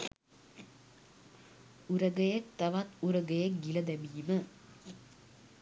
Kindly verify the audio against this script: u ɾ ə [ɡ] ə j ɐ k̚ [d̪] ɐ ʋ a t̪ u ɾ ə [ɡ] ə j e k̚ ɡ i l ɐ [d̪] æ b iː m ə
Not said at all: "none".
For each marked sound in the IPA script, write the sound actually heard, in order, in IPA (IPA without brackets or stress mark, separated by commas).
ɡ, t̪, ɡ, d̪